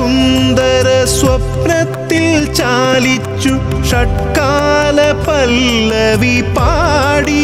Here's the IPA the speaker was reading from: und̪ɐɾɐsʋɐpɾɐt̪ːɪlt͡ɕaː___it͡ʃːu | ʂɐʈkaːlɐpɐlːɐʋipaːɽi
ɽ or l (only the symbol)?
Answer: l